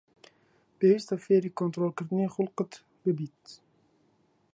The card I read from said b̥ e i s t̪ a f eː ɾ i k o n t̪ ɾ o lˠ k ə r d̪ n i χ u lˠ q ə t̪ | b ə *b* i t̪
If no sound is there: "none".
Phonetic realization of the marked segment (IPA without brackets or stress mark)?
b